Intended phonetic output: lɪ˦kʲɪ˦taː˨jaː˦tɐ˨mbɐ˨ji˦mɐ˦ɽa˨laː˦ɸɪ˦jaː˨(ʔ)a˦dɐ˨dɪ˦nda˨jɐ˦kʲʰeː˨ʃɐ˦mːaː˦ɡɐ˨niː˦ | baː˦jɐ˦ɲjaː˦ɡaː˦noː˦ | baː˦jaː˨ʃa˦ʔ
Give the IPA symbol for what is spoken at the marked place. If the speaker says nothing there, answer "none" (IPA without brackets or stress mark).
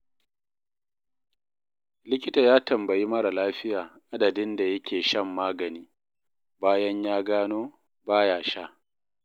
ʔ